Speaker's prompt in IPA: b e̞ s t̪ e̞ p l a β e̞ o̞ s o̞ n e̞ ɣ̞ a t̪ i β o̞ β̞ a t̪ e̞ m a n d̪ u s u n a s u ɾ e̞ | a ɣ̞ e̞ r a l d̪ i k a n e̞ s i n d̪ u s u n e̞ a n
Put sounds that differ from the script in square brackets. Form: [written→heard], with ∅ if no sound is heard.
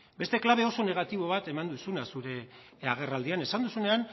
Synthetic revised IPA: b e̞ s t̪ e̞ [p→k] l a β e̞ o̞ s o̞ n e̞ ɣ̞ a t̪ i β o̞ β̞ a t̪ e̞ m a n d̪ u s u n a s u ɾ e̞ | a ɣ̞ e̞ r a l d̪ i [k→∅] a n e̞ s [i→a] n d̪ u s u n e̞ a n